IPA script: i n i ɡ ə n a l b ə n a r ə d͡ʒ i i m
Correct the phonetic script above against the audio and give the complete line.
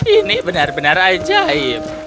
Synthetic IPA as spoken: i n i b ə n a r b ə n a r a d͡ʒ a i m